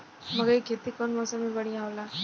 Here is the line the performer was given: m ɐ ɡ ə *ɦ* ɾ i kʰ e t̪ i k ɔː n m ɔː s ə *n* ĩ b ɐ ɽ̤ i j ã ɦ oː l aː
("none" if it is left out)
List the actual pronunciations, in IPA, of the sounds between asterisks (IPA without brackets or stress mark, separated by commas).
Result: none, m